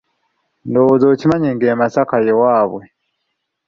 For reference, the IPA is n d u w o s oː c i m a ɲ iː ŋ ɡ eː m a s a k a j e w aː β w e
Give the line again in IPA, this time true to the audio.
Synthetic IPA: n d o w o z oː c i m a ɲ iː ŋ ɡ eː m a s a k a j e w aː β w e